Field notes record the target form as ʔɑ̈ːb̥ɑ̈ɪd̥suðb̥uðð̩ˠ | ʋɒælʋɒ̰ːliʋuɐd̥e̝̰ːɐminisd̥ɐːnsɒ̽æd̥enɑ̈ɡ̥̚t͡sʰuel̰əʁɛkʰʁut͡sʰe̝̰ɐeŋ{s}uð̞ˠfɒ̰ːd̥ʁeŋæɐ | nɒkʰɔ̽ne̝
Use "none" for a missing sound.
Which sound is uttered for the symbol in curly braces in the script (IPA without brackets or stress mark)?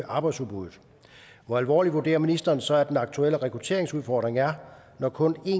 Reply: s